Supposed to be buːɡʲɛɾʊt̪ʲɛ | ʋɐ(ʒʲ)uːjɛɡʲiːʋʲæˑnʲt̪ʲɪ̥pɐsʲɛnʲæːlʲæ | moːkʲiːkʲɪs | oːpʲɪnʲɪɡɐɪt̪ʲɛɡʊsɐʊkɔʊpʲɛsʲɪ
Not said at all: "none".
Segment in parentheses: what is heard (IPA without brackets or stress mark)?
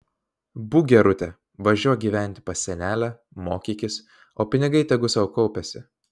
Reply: ʒʲ